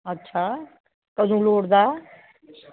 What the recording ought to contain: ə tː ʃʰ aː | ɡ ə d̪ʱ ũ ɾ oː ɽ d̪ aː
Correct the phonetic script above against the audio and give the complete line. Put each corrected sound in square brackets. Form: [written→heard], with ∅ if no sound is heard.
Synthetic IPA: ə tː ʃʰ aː | [ɡ→k] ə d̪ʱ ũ [ɾ→l] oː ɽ d̪ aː